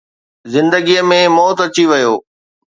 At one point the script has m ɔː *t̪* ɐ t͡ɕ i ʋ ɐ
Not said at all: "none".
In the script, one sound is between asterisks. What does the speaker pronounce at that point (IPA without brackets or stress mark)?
t̪